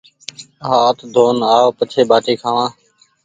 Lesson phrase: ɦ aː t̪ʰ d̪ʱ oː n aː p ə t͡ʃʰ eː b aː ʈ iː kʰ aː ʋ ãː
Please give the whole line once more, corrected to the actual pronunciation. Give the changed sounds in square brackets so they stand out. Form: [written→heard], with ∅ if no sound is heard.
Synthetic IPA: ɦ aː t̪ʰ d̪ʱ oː n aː p ə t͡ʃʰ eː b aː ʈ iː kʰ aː ʋ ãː